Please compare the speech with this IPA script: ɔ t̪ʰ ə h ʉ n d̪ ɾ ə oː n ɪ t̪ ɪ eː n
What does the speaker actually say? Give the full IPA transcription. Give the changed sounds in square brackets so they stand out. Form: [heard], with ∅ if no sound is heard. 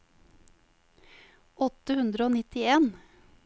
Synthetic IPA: ɔ [t̪] ə h ʉ n d̪ ɾ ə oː n ɪ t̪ ɪ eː n